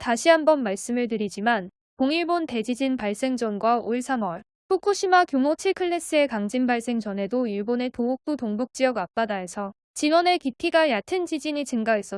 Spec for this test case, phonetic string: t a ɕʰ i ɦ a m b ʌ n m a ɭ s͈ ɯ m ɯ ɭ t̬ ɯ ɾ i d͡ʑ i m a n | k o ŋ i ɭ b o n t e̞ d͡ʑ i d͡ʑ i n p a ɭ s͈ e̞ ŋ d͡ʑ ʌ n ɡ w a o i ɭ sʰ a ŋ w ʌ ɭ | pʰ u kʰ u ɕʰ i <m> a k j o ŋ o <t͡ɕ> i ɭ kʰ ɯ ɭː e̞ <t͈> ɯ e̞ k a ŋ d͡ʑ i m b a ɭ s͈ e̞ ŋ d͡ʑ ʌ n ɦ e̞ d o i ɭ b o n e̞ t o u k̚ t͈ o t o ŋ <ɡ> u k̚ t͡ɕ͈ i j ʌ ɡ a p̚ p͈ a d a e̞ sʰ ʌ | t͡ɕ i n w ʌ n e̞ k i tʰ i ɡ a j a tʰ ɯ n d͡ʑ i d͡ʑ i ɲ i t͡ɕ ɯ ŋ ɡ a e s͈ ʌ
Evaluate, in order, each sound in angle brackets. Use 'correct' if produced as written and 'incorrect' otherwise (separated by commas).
correct, incorrect, incorrect, incorrect